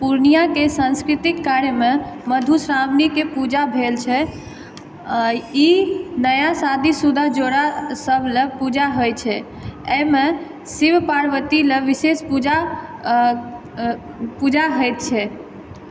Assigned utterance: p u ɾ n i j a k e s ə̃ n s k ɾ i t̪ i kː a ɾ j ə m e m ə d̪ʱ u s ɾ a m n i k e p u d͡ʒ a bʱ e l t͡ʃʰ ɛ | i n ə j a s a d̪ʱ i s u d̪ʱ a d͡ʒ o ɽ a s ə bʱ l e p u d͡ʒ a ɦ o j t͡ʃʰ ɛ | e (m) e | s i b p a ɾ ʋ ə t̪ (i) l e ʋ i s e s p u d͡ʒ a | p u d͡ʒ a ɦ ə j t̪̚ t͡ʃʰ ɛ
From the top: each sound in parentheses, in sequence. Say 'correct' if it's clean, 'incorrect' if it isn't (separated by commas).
correct, correct